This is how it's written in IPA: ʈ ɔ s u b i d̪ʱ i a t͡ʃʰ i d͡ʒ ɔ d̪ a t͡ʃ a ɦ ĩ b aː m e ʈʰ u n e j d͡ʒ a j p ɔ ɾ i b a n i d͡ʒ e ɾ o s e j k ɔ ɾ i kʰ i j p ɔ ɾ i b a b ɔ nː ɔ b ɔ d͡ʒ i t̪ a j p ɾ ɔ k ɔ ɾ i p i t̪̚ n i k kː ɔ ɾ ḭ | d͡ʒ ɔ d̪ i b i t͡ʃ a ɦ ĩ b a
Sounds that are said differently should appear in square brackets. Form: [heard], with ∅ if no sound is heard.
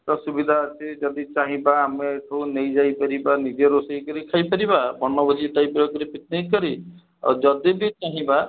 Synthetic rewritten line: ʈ ɔ s u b i d̪ʱ [a] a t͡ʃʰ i d͡ʒ ɔ d̪ [i] t͡ʃ a ɦ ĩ b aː m e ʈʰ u n e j d͡ʒ a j p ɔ ɾ i b a n i d͡ʒ e ɾ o s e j k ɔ ɾ i kʰ [a] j p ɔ ɾ i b a b ɔ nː ɔ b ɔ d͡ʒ i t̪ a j p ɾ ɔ k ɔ ɾ i p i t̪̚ n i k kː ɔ ɾ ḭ | d͡ʒ ɔ d̪ i b i t͡ʃ a ɦ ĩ b a

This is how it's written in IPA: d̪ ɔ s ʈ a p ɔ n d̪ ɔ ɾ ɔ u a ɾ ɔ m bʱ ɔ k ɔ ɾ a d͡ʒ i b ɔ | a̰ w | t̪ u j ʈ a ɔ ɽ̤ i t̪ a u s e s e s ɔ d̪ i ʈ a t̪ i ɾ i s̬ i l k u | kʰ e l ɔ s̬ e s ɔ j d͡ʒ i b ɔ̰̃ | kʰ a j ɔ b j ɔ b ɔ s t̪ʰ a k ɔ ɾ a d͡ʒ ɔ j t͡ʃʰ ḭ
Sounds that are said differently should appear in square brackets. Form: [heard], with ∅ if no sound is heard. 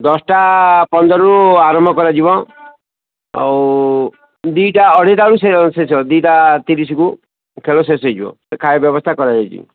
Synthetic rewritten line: d̪ ɔ s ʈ a p ɔ n d̪ ɔ ɾ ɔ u a ɾ ɔ m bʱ ɔ k ɔ ɾ a d͡ʒ i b ɔ | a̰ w | [d̪] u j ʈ a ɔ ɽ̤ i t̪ a u s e s e s ɔ d̪ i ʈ a t̪ i ɾ i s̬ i [∅] k u | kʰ e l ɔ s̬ e s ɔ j d͡ʒ i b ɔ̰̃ | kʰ a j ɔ b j ɔ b ɔ s t̪ʰ a k ɔ ɾ a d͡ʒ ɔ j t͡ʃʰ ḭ

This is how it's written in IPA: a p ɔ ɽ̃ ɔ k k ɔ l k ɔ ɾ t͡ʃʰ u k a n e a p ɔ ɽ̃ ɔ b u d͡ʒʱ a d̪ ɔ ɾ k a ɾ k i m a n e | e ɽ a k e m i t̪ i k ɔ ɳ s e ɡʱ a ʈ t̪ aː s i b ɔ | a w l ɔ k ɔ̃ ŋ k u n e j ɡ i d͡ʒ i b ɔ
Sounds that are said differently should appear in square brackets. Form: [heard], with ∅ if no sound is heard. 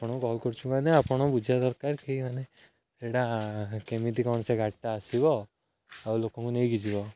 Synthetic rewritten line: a p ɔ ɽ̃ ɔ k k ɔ l k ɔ ɾ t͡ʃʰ u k a n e a p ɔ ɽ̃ ɔ b u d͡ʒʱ a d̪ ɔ ɾ k a ɾ k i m a n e | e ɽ a k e m i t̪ i k ɔ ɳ s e ɡʱ a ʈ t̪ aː s i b ɔ | a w l [o] k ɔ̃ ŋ k u n e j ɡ i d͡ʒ i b ɔ

